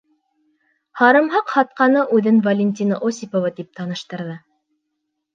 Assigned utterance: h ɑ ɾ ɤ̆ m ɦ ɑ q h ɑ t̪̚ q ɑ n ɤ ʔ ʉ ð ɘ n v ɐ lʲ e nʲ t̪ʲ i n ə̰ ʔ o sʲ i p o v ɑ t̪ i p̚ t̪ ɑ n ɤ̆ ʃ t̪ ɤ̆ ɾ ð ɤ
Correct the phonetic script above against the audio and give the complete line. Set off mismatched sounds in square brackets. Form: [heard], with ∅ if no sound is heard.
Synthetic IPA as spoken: h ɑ ɾ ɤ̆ m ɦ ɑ q h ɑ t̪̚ q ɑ n ɤ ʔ ʉ ð ɘ n v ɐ lʲ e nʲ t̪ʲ i n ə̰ ʔ o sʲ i p o v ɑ t̪ i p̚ t̪ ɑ n ɤ̆ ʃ t̪ ɤ̆ ɾ ð ɤ